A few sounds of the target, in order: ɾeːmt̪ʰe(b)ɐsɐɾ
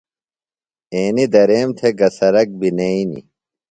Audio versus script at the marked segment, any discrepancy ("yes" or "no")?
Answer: yes